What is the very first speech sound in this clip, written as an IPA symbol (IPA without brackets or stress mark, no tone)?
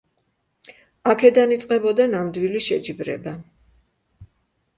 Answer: a